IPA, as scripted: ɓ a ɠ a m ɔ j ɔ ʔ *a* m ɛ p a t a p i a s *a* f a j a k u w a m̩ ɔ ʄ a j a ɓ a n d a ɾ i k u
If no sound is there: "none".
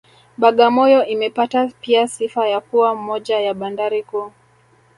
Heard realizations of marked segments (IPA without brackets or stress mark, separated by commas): i, i